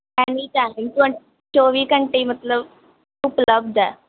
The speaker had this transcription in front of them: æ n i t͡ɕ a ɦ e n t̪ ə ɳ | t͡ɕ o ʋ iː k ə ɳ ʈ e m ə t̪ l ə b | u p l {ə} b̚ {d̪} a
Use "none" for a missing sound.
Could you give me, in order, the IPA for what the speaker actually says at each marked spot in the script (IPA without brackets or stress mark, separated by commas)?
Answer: ə, d̪